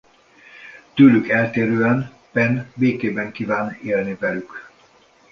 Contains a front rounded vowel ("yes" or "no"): yes